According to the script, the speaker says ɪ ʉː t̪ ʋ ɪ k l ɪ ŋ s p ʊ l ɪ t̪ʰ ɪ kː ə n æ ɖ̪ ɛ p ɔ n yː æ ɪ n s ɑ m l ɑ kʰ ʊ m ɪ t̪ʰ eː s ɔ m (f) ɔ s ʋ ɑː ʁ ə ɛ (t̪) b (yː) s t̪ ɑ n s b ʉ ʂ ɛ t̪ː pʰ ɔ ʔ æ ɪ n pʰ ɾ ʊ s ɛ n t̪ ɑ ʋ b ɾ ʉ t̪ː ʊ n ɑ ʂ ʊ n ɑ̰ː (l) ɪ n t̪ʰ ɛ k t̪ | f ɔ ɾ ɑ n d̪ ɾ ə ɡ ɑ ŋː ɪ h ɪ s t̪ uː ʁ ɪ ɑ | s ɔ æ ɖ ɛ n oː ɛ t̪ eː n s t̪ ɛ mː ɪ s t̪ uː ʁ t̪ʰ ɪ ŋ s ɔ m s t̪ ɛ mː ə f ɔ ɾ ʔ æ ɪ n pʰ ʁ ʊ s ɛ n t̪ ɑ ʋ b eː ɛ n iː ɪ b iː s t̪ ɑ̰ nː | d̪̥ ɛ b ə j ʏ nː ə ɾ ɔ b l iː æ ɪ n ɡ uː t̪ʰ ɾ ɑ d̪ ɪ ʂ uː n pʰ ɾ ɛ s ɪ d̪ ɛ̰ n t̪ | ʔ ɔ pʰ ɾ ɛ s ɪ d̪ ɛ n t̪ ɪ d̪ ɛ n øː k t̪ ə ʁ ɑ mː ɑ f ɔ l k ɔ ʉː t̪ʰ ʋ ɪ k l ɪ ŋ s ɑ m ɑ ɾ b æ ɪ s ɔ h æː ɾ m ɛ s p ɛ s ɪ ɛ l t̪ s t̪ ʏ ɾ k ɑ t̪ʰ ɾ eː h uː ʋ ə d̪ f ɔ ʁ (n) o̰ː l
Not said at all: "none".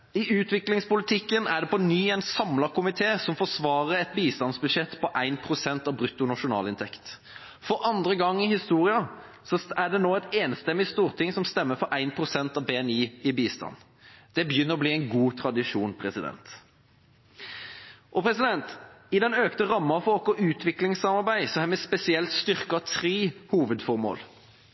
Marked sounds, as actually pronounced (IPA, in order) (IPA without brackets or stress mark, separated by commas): f, t̪, iː, l, m